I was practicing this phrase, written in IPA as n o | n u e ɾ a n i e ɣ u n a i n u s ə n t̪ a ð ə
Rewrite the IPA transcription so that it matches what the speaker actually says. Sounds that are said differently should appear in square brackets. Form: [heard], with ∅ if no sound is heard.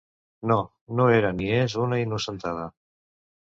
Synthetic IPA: n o | n [o] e ɾ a n i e [z] u n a i n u s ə n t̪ a ð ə